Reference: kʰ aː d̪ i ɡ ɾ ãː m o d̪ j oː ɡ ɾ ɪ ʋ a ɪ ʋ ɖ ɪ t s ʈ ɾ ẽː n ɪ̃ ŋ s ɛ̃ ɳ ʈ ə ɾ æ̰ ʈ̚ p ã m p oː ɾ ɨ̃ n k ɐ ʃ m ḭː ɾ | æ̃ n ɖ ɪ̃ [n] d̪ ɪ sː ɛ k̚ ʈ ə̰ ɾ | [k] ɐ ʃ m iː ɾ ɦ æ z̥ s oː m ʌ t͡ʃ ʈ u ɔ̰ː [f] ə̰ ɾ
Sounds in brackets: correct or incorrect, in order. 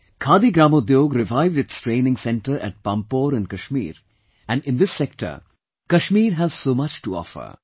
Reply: correct, correct, correct

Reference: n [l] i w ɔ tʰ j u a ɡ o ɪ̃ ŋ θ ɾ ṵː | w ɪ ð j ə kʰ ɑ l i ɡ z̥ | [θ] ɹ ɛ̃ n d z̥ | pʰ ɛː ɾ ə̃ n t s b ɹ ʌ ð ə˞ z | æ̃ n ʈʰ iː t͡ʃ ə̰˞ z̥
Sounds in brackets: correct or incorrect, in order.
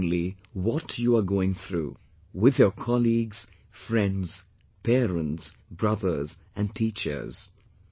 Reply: correct, incorrect: f

